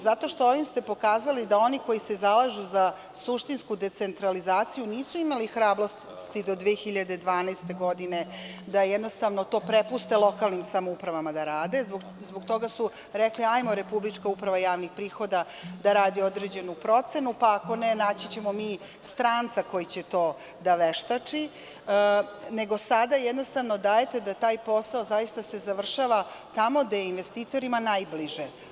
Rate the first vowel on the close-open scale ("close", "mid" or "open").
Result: open